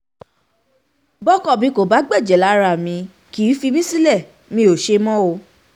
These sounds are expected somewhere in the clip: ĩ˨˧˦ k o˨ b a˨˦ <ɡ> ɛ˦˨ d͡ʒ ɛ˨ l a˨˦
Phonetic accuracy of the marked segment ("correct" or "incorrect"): incorrect